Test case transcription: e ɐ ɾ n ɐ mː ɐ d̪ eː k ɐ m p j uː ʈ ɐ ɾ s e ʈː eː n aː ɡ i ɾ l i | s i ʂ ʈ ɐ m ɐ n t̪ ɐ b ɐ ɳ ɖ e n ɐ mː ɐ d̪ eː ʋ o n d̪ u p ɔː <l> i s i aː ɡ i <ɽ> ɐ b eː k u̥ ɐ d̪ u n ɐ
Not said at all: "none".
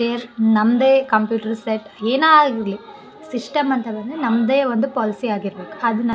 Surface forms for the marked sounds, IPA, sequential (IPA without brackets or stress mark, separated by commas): l, ɾ